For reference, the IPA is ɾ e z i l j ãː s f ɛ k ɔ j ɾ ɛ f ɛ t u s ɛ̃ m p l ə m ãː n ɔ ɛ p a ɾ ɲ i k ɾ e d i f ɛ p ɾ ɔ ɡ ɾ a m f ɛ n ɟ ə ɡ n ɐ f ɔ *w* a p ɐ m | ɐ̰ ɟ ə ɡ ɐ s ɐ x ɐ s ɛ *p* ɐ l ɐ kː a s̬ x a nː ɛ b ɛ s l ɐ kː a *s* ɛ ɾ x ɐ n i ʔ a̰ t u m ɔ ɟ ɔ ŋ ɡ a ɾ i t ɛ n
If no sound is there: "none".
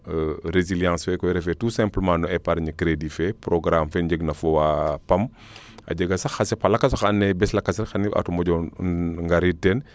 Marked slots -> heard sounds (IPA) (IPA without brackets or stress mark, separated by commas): w, p, s